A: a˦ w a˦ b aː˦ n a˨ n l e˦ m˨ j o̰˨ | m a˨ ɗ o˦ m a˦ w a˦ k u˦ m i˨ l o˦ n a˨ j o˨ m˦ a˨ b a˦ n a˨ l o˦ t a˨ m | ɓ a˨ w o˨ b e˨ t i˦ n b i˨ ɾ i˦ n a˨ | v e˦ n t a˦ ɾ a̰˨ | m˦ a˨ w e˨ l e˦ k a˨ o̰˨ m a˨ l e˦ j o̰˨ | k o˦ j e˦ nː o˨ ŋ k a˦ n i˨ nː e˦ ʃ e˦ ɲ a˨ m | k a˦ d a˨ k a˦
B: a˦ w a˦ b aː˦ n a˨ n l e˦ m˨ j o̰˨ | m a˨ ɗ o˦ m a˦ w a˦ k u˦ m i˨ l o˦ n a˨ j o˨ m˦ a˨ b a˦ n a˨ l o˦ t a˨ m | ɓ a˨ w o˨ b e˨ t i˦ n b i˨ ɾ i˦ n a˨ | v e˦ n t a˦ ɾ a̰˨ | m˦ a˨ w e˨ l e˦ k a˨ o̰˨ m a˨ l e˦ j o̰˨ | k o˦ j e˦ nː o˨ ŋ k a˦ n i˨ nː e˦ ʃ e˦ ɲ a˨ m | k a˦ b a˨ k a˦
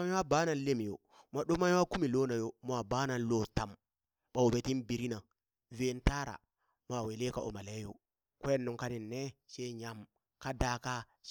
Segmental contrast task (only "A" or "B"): A